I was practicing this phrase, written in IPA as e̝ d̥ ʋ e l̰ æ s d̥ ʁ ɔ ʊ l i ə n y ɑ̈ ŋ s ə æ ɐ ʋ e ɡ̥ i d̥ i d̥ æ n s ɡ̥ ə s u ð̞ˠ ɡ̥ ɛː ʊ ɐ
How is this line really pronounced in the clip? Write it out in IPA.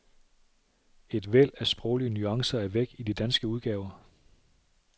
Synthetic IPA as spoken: e̝ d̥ ʋ e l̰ æ s b̥ ʁ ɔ ʊ l i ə n y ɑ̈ ŋ s ɐ æ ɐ ʋ e ɡ̥ i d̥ i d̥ æ n s ɡ̥ ə u ð̞ˠ ɡ̥ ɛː ʊ ɐ